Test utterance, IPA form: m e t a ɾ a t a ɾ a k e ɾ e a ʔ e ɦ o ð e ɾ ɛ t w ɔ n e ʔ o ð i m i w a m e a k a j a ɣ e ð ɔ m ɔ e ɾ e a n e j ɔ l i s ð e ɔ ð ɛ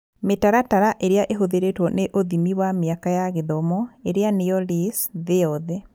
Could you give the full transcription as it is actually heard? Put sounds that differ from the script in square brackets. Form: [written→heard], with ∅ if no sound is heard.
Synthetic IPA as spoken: m e t a ɾ a t a ɾ a [k→ʔ] e ɾ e a ʔ e ɦ o ð e ɾ [ɛ→e] t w ɔ n e ʔ o ð i m i w a m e a k a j a ɣ e ð ɔ m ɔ e ɾ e a n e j ɔ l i s ð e ɔ ð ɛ